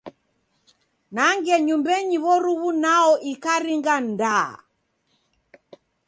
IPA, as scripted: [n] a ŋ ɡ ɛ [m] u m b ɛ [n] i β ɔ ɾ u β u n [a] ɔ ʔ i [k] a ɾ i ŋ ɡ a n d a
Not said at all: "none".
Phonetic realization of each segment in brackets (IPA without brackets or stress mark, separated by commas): n, ɲ, ɲ, a, k